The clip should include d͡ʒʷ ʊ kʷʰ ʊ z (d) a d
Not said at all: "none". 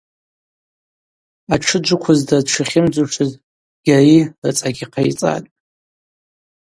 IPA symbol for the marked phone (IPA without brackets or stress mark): d